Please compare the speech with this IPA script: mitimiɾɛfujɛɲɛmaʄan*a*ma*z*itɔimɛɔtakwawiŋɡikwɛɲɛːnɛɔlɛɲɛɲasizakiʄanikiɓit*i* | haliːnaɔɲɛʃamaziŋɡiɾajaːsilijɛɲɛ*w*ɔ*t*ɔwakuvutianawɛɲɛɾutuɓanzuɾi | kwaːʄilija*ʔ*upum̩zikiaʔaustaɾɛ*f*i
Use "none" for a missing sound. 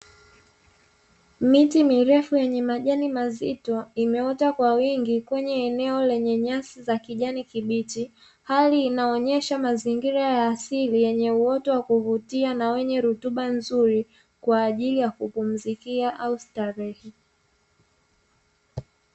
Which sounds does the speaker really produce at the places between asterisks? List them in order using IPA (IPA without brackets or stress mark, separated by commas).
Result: i, z, i, u, t, k, h